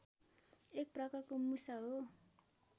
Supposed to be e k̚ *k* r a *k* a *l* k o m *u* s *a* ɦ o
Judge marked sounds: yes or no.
no, yes, no, yes, yes

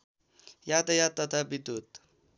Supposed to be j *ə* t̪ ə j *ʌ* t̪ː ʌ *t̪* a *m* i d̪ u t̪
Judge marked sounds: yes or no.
no, no, no, no

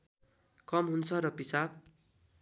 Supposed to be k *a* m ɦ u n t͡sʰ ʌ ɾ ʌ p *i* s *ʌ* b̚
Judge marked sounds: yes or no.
no, yes, no

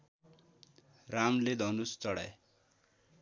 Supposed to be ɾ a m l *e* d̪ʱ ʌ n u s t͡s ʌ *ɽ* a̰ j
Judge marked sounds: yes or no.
yes, yes

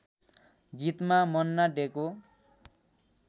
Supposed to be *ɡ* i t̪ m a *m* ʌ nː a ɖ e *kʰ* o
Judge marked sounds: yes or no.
yes, yes, no

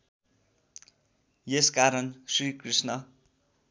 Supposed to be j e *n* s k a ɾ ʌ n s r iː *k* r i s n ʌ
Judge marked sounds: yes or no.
no, yes

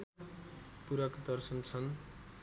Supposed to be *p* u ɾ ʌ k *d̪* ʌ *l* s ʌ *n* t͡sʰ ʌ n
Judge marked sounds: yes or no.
yes, yes, no, yes

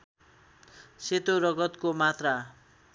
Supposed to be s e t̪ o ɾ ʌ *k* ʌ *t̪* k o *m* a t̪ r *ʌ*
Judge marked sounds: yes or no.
no, yes, yes, no

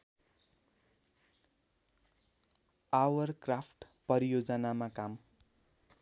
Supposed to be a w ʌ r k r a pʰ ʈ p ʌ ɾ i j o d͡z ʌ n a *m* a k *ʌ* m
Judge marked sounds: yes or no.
yes, no

